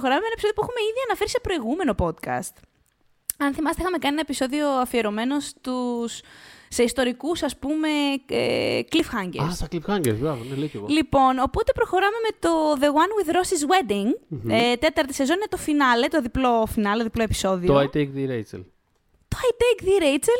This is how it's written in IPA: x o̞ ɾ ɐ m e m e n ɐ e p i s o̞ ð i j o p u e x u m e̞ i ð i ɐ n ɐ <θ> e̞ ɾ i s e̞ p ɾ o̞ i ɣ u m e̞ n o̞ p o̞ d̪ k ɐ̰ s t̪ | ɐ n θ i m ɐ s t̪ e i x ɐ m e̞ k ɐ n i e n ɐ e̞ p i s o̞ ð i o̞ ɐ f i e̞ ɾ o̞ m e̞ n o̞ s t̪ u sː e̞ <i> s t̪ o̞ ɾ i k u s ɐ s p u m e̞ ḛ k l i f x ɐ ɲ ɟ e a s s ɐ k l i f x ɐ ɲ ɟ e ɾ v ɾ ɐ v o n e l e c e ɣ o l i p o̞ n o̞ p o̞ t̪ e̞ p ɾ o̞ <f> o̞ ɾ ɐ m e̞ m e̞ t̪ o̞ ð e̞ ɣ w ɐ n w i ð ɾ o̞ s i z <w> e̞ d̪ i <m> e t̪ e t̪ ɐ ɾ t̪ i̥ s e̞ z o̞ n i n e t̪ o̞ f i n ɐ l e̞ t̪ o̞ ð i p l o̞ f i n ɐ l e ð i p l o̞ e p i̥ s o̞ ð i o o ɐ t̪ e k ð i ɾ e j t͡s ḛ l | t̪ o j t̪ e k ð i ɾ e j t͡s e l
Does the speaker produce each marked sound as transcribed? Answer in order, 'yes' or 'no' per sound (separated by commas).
no, yes, no, yes, no